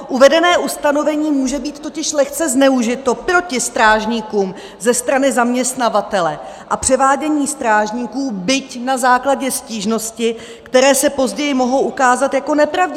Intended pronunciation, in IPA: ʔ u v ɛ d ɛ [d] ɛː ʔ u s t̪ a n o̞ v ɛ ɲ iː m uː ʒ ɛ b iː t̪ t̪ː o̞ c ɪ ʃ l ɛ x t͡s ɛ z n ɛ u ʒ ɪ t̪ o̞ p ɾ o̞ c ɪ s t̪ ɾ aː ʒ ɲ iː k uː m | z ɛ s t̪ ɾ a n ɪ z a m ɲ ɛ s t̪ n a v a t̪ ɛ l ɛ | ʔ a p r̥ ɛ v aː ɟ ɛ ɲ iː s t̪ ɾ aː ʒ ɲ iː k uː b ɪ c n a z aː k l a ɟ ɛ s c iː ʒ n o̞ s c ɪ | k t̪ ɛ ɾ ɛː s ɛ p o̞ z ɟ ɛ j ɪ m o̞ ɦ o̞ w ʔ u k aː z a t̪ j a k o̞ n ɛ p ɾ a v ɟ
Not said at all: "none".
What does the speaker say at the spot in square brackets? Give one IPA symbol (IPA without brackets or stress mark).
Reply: n